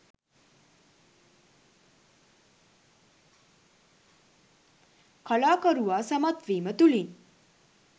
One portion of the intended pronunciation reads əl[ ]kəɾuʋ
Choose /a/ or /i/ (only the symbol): a